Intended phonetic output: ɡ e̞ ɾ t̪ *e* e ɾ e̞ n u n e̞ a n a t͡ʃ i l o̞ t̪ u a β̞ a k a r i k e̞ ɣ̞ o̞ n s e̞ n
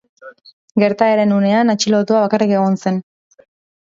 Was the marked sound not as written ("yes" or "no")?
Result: yes